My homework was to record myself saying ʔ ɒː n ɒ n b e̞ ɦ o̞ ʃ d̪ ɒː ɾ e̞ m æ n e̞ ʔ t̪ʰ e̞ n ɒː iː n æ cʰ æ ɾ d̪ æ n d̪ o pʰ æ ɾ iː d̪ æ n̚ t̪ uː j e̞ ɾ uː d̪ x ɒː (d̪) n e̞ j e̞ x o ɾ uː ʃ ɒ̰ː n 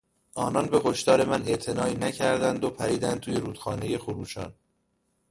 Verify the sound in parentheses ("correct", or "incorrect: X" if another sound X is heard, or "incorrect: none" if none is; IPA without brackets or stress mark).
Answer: incorrect: none